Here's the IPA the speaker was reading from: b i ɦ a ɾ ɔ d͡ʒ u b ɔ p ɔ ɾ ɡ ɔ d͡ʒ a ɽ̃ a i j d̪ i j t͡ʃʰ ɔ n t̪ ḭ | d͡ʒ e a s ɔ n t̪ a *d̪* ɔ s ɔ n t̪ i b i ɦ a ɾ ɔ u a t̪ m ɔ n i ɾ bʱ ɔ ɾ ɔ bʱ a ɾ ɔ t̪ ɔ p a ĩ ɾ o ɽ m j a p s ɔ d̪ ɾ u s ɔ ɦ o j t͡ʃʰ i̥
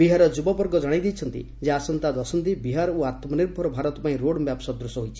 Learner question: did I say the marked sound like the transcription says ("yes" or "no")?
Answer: yes